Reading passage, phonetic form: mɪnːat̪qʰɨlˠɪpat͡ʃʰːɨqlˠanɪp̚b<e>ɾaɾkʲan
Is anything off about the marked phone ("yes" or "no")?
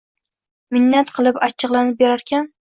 no